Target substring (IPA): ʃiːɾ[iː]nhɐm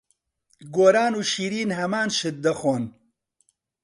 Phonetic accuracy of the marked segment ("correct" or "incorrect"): correct